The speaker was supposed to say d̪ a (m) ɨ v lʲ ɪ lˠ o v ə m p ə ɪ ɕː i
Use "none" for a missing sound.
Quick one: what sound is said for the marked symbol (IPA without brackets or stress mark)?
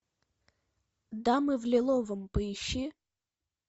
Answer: m